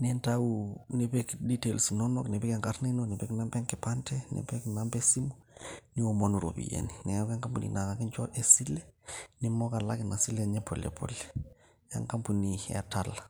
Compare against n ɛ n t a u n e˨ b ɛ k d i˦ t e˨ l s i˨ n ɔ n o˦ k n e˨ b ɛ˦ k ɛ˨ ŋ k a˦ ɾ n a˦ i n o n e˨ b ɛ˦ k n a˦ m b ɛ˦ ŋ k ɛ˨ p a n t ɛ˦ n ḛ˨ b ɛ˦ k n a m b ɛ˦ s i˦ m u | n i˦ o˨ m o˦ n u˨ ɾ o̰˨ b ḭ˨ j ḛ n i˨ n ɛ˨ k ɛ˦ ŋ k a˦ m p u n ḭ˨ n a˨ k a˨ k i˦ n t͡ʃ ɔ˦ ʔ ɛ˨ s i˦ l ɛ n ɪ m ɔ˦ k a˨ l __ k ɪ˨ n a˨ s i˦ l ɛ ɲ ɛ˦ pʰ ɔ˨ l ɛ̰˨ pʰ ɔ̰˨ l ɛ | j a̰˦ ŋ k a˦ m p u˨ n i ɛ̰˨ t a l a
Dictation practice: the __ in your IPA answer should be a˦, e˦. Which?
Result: a˦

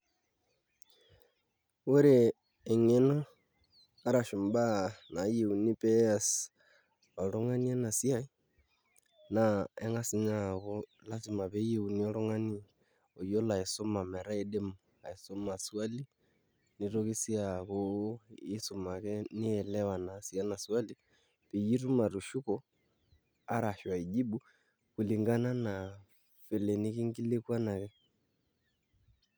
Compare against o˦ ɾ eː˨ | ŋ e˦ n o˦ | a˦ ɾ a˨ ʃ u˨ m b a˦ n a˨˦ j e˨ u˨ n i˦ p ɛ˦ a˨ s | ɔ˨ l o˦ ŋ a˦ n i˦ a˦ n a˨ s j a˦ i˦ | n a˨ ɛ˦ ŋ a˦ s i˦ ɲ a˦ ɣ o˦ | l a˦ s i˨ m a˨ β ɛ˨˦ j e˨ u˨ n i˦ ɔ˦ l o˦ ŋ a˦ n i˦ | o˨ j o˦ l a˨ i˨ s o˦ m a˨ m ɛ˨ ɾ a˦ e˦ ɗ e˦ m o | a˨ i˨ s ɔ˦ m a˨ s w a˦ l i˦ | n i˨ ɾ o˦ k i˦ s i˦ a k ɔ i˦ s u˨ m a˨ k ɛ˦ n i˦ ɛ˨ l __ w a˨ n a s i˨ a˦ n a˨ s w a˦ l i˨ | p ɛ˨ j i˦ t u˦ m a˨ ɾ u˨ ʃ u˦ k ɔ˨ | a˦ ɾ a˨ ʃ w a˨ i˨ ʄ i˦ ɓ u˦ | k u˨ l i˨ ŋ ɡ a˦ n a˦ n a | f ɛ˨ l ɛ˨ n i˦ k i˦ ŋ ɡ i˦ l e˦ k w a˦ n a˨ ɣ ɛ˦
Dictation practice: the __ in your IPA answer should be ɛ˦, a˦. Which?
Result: ɛ˦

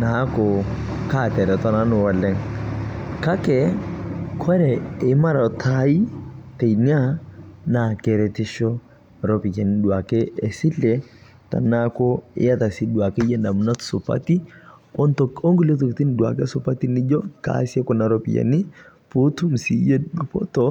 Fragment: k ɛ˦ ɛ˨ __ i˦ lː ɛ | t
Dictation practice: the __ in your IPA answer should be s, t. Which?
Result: s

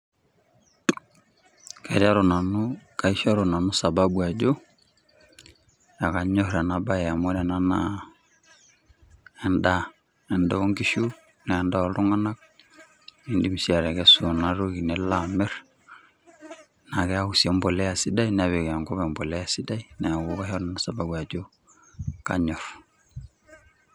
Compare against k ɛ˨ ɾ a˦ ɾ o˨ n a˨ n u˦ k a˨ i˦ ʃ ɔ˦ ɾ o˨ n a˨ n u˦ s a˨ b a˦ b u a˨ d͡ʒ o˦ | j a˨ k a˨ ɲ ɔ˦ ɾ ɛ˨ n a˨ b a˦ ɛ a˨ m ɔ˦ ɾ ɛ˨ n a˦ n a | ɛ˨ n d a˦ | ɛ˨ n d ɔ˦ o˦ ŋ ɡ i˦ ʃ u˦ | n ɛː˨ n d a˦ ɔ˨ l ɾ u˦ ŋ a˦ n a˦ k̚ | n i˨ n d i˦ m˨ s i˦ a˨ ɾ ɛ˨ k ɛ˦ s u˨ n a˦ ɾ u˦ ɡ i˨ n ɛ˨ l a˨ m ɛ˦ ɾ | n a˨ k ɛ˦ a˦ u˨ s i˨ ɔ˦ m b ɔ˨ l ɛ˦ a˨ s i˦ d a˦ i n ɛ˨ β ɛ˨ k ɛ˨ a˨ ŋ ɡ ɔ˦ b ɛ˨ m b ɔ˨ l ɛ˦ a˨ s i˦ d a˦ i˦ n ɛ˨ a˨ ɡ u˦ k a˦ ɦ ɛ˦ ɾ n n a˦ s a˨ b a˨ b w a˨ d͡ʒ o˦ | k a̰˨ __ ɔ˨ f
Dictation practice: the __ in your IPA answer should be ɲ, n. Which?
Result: ɲ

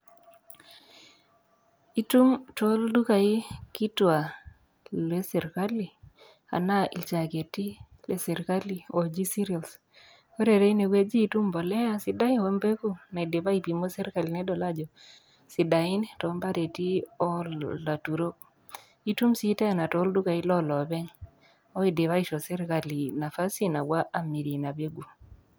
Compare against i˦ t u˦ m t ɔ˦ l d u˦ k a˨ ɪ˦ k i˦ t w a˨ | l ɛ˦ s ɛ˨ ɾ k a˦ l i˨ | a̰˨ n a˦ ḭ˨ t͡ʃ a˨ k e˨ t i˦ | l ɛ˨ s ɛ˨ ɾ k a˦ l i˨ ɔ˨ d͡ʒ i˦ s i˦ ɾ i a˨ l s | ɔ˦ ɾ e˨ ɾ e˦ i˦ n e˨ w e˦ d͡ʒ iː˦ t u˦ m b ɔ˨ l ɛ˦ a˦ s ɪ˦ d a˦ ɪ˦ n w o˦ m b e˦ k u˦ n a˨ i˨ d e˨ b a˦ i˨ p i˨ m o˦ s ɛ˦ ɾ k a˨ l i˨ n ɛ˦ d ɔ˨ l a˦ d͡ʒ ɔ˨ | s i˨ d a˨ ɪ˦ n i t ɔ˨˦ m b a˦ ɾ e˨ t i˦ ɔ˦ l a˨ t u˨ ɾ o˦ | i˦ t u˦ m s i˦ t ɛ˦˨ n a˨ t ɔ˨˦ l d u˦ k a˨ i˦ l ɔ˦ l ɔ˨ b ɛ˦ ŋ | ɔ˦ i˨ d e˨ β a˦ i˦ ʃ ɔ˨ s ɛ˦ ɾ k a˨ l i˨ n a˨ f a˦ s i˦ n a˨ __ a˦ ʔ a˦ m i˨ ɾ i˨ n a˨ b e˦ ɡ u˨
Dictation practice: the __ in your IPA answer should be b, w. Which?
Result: w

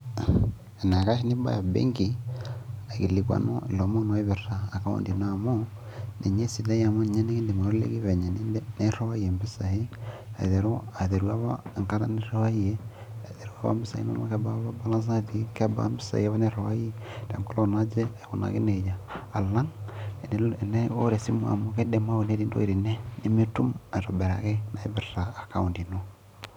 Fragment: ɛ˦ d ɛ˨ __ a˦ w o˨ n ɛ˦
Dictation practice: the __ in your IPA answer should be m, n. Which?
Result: m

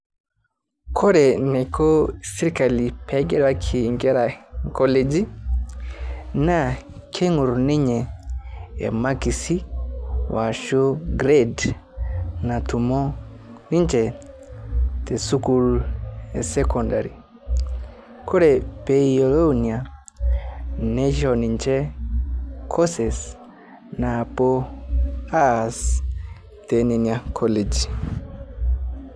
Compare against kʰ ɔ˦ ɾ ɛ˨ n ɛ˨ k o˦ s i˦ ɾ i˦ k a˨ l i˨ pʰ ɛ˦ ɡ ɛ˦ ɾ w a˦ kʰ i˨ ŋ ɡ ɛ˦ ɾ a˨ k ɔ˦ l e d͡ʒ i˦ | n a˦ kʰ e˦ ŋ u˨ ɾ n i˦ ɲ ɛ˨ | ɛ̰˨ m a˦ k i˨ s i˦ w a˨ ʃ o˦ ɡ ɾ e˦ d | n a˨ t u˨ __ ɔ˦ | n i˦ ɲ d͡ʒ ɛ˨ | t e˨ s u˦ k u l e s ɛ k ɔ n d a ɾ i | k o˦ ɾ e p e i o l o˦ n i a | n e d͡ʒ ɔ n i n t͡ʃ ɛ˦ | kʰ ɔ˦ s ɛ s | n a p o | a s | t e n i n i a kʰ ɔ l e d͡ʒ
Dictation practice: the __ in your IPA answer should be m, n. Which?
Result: m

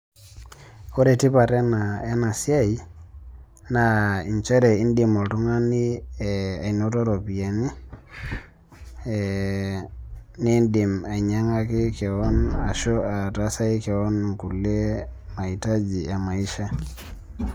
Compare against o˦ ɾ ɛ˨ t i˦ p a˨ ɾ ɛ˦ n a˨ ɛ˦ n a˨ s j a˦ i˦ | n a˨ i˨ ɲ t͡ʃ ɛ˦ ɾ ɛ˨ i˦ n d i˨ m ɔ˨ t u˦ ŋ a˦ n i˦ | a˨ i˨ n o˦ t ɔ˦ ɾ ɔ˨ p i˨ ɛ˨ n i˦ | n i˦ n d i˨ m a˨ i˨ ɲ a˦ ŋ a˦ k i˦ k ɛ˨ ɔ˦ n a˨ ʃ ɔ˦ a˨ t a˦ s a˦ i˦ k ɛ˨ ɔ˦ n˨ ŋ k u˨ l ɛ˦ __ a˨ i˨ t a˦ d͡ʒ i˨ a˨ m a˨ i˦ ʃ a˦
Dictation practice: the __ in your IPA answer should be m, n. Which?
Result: m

